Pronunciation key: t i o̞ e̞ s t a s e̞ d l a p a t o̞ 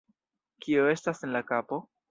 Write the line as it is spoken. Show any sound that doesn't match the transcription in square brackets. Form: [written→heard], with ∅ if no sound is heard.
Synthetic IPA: [t→k] i o̞ e̞ s t a s e̞ [d→n] l a [p→k] a [t→p] o̞